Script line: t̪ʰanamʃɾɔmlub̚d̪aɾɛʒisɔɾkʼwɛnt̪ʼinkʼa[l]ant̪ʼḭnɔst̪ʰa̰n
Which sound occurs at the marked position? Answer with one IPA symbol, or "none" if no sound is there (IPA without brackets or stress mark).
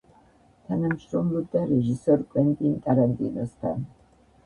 ɾ